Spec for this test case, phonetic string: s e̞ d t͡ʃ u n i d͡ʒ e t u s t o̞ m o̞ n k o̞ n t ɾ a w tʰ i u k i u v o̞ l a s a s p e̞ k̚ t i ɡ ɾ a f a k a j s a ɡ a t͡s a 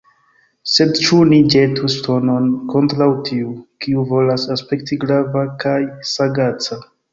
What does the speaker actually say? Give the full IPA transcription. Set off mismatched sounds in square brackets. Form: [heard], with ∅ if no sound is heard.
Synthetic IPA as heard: s e̞ d t͡ʃ u n i d͡ʒ e t u s t o̞ [n] o̞ n k o̞ n t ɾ a w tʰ i u k i u v o̞ l a s a s p e̞ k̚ t i ɡ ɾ a [v] a k a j s a ɡ a t͡s a